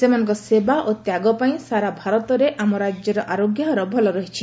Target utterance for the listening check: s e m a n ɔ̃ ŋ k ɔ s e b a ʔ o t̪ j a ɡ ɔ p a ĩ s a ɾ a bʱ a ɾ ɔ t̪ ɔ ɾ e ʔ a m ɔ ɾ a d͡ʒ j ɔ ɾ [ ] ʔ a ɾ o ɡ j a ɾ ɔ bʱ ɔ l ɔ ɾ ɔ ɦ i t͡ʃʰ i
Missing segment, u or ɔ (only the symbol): ɔ